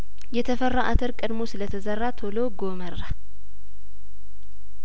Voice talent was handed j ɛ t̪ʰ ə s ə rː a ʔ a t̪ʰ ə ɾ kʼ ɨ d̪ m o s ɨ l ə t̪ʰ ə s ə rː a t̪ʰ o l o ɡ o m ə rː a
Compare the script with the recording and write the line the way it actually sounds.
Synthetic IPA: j ɛ t̪ʰ ə f ə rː a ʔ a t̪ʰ ə ɾ kʼ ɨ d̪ m o s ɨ l ə t̪ʰ ə z ə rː a t̪ʰ o l o ɡ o m ə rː a